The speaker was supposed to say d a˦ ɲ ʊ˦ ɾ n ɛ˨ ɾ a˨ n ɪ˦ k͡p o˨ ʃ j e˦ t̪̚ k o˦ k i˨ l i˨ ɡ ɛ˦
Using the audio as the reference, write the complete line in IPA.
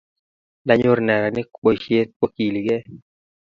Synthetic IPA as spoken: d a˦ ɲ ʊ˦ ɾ n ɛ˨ ɾ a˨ n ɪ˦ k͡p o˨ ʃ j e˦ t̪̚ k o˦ k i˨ l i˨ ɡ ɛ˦